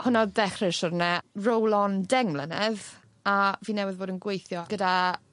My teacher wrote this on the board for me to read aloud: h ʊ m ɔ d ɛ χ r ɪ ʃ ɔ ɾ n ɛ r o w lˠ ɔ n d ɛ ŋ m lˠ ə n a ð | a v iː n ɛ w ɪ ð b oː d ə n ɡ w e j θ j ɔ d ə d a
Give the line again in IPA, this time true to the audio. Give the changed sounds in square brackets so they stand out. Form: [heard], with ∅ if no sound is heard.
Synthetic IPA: h ʊ [n] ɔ d ɛ χ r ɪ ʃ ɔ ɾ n ɛ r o w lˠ ɔ n d ɛ ŋ m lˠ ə n [ɛ] ð | a v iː n ɛ w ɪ ð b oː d ə n ɡ w e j θ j ɔ [ɡ] ə d a